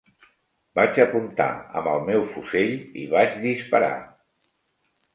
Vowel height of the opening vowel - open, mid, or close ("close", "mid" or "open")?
open